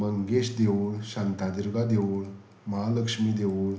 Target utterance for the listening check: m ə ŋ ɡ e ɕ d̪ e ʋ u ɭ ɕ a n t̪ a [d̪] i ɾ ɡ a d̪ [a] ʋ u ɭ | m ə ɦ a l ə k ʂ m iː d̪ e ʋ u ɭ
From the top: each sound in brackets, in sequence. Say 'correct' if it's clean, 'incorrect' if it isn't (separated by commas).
correct, incorrect